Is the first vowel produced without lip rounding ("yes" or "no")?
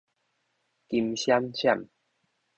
yes